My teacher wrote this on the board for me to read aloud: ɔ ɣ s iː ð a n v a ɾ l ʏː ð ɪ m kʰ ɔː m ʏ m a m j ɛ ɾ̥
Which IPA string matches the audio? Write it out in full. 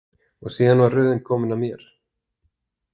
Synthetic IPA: ɔ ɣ s iː ð a n v a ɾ r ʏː ð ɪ n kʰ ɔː m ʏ n a m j ɛ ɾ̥